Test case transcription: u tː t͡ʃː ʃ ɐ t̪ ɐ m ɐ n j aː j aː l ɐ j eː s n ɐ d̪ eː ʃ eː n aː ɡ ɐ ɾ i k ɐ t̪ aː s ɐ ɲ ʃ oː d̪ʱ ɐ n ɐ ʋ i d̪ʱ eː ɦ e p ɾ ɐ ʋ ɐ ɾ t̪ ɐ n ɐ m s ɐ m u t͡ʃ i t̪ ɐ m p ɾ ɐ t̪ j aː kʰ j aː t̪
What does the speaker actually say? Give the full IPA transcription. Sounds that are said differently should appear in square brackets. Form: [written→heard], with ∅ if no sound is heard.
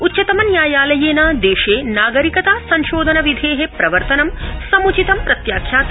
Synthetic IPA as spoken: u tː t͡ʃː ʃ ɐ t̪ ɐ m ɐ n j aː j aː l ɐ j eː [s→∅] n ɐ d̪ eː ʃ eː n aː ɡ ɐ ɾ i k ɐ t̪ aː s ɐ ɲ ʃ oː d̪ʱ ɐ n ɐ ʋ i d̪ʱ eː ɦ e p ɾ ɐ ʋ ɐ ɾ t̪ ɐ n ɐ m s ɐ m u t͡ʃ i t̪ ɐ m p ɾ ɐ t̪ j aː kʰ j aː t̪